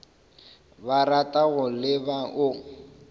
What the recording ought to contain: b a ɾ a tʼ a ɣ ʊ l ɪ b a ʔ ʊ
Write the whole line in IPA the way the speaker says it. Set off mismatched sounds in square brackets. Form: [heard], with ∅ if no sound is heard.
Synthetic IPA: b a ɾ a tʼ a ɣ ʊ l ɪ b a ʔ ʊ